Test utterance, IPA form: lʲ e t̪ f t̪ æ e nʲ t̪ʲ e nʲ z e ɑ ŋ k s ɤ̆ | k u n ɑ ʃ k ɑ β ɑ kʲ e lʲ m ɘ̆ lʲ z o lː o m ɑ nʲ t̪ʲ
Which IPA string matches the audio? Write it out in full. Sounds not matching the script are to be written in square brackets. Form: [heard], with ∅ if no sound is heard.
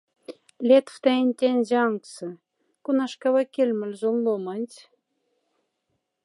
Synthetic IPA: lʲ e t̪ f t̪ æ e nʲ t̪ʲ e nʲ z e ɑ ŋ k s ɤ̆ | k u n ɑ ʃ k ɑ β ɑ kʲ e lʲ m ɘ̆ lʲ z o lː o m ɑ nʲ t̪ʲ